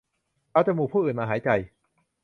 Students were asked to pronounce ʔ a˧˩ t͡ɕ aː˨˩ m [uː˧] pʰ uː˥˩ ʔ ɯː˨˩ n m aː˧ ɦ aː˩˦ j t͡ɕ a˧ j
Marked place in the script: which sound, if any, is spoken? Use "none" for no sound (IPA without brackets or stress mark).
uː˨˩